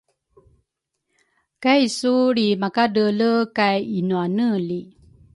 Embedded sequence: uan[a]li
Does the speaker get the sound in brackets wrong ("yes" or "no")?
yes